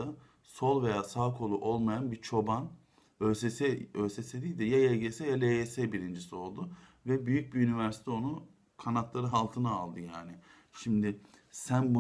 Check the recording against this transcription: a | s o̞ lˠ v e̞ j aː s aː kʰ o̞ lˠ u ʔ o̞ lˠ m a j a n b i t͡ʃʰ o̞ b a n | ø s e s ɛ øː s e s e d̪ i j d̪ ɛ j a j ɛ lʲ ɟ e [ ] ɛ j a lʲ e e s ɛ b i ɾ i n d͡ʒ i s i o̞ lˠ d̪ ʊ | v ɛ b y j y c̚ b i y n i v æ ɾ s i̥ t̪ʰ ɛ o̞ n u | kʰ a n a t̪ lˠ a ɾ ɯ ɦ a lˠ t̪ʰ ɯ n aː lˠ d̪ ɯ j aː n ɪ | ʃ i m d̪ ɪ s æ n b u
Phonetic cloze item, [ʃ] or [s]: s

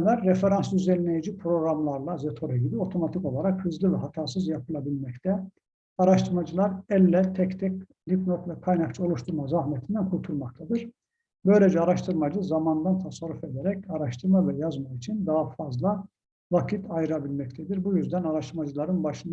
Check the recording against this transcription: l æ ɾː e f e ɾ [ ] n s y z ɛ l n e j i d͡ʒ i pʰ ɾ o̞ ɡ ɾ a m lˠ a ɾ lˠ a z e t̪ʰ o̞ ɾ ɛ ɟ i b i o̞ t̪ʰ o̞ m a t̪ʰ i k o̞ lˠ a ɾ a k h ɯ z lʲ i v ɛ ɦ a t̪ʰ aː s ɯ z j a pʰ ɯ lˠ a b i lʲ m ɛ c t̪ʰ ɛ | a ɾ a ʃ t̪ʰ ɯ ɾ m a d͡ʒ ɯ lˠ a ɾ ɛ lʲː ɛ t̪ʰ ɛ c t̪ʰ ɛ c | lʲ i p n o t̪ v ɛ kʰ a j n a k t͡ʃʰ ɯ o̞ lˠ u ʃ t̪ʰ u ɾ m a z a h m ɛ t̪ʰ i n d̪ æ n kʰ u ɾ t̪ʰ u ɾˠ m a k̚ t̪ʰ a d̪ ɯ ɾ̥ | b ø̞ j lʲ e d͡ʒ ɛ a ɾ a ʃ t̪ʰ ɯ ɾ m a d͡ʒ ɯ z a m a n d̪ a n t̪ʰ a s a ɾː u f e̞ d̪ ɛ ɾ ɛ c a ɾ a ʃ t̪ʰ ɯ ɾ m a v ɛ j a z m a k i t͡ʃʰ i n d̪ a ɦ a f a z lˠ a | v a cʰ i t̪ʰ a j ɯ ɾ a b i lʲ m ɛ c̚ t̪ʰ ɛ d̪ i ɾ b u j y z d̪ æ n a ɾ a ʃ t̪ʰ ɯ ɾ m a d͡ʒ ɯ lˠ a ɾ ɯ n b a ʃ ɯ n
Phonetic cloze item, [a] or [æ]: a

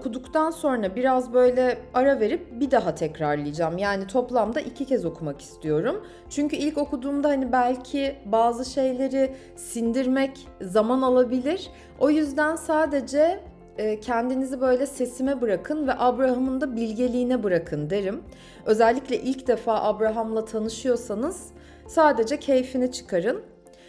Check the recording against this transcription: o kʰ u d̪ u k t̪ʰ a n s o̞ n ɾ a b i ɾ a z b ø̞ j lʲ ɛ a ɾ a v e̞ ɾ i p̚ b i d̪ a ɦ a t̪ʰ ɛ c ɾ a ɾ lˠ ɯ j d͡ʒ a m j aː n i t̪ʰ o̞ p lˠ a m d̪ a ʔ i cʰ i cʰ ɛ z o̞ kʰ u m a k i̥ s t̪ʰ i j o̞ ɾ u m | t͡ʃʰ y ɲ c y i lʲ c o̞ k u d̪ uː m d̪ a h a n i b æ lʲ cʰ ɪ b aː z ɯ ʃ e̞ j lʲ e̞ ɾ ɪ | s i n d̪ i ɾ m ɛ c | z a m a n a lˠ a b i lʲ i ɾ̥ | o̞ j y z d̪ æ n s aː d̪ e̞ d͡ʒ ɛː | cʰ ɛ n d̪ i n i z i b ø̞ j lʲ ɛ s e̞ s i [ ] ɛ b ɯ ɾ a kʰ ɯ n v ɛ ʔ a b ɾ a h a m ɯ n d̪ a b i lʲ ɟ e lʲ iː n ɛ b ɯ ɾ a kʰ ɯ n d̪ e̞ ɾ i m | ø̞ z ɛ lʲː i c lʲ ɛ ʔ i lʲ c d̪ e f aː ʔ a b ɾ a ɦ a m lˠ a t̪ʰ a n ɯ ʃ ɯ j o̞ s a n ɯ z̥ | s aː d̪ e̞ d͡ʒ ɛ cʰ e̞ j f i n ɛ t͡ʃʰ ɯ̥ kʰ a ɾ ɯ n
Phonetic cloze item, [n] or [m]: m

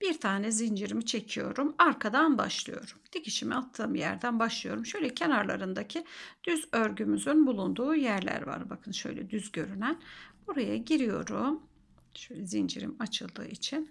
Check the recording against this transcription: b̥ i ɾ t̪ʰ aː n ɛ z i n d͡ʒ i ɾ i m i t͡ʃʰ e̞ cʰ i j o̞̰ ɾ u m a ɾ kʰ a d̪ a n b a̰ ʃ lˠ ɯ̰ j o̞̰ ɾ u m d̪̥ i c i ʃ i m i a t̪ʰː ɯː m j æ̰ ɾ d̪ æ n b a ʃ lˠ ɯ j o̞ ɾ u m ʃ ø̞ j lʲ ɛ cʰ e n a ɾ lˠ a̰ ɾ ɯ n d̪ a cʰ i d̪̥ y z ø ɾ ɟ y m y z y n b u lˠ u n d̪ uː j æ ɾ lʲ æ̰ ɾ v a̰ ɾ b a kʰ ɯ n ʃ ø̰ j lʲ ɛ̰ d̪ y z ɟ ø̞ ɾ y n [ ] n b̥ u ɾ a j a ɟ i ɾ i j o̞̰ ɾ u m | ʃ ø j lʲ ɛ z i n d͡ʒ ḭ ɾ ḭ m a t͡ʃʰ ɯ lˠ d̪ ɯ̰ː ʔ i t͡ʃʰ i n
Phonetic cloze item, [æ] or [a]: æ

